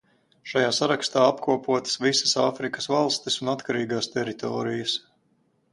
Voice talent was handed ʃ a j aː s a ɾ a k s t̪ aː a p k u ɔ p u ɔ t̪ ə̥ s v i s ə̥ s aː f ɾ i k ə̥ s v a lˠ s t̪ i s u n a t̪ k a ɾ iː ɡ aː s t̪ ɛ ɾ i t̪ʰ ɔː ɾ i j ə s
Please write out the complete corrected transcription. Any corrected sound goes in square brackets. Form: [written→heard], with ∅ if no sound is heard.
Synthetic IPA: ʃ a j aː s a ɾ a k s t̪ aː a p k u ɔ p u ɔ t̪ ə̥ s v i s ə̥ s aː f ɾ i k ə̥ s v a lˠ s t̪ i s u n a t̪ k a ɾ iː ɡ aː s t̪ ɛ ɾ i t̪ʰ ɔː ɾ i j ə s